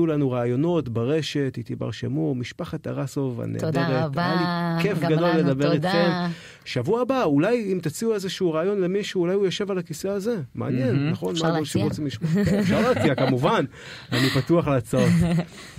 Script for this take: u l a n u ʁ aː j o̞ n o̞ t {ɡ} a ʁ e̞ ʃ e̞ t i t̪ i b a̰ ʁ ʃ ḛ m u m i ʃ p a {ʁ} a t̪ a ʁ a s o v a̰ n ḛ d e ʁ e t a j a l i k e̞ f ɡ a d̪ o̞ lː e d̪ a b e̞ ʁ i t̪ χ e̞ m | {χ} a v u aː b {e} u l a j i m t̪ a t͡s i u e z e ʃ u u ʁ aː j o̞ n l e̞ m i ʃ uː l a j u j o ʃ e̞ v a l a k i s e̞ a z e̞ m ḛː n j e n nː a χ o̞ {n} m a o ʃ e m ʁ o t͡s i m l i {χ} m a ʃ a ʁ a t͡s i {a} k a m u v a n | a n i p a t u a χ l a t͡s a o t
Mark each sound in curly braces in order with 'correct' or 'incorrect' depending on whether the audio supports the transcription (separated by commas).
incorrect, incorrect, incorrect, incorrect, correct, incorrect, correct